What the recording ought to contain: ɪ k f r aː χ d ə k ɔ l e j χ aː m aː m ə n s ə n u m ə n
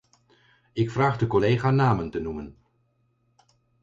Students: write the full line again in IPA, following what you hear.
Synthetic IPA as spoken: ɪ k f r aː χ d ə k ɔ l e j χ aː n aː m ə n t ə n u m ə n